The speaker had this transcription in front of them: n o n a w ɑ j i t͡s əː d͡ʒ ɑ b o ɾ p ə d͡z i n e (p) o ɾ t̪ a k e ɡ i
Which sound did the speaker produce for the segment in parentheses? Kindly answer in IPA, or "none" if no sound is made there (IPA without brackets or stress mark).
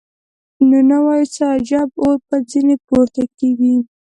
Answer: p